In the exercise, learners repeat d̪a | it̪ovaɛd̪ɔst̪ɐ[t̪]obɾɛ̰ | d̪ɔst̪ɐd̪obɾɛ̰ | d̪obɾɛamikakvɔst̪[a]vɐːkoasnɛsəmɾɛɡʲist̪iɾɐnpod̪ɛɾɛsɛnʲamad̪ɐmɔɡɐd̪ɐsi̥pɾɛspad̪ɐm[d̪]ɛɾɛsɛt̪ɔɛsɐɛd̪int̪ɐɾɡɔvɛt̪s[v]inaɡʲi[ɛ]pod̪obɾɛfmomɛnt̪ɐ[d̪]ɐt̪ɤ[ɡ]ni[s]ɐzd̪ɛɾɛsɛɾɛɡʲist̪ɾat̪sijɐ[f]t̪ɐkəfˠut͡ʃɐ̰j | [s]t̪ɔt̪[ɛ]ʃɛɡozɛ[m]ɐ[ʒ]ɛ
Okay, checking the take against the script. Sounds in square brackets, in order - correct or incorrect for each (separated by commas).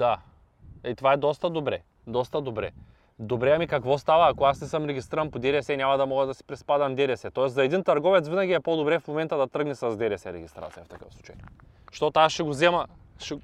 incorrect, correct, correct, correct, correct, correct, correct, correct, correct, incorrect, incorrect, correct, incorrect